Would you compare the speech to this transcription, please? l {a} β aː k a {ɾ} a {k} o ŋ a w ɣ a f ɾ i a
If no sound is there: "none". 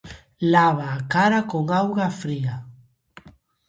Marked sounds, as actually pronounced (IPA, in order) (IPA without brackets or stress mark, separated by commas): a, ɾ, k